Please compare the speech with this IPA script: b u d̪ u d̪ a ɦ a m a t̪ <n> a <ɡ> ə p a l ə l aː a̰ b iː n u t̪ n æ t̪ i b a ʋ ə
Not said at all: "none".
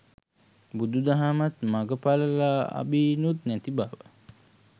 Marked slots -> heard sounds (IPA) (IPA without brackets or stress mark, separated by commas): m, ɡ